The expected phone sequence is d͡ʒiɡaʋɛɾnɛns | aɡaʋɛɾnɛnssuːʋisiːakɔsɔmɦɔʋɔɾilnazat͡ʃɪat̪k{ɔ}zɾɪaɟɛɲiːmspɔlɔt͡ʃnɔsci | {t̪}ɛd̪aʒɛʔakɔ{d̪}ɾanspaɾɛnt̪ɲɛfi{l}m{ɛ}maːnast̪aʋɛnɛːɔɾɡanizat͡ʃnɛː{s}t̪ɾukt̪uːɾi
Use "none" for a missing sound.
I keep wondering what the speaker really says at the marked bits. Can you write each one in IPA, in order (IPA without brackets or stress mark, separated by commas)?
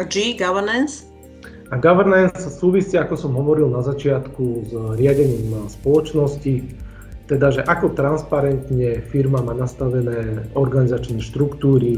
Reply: u, t̪, t̪, ɾ, a, ʃ